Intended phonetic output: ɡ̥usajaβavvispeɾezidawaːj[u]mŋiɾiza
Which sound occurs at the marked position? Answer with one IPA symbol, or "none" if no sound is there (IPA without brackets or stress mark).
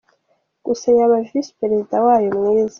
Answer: o